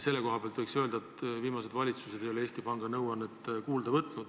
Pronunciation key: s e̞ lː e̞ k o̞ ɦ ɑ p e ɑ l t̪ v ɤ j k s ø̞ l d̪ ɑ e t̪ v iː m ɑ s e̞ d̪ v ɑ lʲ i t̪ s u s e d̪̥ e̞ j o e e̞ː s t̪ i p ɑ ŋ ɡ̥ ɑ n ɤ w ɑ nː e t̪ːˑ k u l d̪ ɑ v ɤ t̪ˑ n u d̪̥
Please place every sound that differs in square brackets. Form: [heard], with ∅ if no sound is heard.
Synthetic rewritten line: s e̞ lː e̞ k o̞ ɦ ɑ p e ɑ l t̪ v ɤ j k s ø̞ l d̪ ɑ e t̪ v iː m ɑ s e̞ d̪ v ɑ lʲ i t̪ s u s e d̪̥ e̞ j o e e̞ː s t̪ i p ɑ ŋ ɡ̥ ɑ n ɤ w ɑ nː e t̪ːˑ k [uː] l d̪ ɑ v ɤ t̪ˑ n u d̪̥